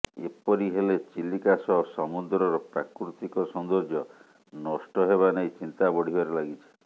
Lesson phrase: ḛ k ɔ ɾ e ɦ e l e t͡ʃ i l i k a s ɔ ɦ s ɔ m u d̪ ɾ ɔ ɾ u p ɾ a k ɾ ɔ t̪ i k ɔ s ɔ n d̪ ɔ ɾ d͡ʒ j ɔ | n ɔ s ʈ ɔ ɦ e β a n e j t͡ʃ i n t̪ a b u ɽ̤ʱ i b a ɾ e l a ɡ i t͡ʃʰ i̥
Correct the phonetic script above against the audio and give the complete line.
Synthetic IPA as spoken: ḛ p ɔ ɾ i ɦ e l e t͡ʃ i l i k a s ɔ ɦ s ɔ m u d̪ ɾ ɔ ɾ ɔ p ɾ a k ɾ u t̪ i k ɔ s ɔ n d̪ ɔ ɾ d͡ʒ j ɔ | n ɔ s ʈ ɔ ɦ e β a n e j t͡ʃ i n t̪ a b ɔ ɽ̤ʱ i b a ɾ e l a ɡ i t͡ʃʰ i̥